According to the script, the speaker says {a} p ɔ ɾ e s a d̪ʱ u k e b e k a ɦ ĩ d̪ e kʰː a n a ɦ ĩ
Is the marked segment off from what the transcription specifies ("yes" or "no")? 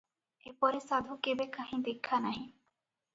yes